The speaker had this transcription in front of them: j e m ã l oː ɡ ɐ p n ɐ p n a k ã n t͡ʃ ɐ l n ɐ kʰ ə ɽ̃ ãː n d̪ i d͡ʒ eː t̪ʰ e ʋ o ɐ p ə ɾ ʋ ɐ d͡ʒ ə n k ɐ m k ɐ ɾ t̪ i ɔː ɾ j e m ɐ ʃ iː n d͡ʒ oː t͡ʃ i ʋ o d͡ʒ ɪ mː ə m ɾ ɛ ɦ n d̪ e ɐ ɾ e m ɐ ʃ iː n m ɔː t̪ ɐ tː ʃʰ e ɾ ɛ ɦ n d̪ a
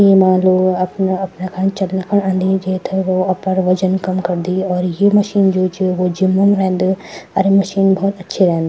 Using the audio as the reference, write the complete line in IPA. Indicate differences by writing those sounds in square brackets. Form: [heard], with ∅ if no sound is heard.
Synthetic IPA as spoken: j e m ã l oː ɡ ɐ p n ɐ p n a k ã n t͡ʃ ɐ l n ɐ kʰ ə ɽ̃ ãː n d̪ i d͡ʒ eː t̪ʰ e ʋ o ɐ p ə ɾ ʋ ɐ d͡ʒ ə n k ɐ m k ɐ ɾ [d̪] i ɔː ɾ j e m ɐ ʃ iː n d͡ʒ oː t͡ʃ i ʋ o d͡ʒ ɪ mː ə m ɾ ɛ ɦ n d̪ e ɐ ɾ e m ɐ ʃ iː n [b] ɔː t̪ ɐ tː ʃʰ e ɾ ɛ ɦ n d̪ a